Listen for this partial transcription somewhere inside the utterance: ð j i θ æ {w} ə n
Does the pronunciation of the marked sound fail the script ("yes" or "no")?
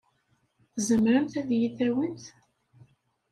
no